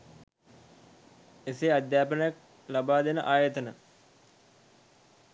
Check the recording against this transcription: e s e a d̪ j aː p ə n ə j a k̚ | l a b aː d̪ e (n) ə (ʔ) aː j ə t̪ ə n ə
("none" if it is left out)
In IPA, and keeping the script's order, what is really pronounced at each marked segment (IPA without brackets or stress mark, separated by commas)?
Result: n, ʔ